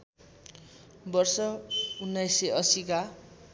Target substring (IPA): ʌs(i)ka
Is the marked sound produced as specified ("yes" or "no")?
yes